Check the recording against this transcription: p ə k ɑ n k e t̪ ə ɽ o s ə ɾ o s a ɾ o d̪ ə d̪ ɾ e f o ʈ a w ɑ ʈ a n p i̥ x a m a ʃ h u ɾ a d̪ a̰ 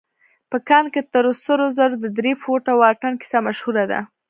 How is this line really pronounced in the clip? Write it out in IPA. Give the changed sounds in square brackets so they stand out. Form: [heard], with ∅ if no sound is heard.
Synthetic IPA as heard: p ə k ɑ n k e t̪ ə [ɾ] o s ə ɾ o [z] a ɾ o d̪ ə d̪ ɾ e f o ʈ a w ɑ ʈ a n [k] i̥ [s] a m a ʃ h u ɾ a d̪ a̰